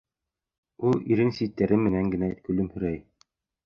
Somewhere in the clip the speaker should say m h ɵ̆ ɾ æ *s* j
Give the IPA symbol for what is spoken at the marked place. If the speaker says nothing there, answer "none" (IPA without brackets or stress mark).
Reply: none